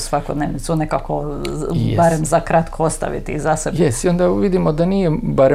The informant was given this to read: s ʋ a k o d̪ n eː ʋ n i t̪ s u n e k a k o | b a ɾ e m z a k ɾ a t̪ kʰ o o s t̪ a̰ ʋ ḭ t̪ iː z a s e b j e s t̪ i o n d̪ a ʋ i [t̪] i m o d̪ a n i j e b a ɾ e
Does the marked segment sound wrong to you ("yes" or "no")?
yes